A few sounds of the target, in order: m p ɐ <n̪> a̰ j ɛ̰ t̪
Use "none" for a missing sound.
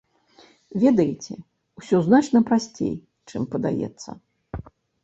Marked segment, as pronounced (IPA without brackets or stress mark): d̪